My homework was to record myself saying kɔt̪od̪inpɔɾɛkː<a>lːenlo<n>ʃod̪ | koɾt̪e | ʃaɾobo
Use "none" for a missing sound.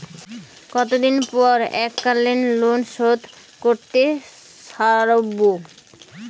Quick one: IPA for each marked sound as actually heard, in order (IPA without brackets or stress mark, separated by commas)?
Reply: a, n